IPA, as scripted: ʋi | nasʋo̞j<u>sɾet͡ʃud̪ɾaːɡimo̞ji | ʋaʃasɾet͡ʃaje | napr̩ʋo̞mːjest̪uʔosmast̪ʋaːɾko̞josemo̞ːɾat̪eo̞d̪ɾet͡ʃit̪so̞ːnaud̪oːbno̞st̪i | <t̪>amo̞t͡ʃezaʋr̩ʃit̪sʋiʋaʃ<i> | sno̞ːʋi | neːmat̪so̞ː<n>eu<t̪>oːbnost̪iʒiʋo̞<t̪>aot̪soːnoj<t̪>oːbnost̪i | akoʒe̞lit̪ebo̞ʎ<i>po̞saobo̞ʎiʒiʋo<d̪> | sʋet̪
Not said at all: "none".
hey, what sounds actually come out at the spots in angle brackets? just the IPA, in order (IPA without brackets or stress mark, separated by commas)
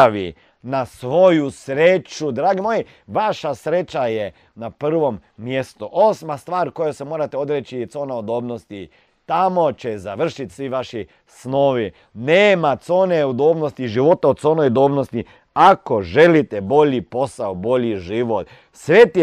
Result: u, t̪, i, n, d̪, t̪, d̪, i, t̪